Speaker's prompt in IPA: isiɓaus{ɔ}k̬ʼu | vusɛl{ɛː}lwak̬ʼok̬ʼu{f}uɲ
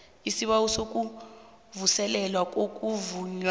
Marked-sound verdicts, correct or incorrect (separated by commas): incorrect, incorrect, incorrect